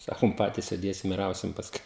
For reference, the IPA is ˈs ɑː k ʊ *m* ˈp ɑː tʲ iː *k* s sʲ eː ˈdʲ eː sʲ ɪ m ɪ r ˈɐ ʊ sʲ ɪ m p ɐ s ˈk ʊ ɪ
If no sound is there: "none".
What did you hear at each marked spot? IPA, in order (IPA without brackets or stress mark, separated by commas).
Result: m, none